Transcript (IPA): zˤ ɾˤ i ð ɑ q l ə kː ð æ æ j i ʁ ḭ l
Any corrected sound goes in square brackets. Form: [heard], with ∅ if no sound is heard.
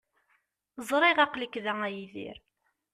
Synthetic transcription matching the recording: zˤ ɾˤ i [ʁ] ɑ q l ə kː ð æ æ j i [ð] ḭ [ɾ]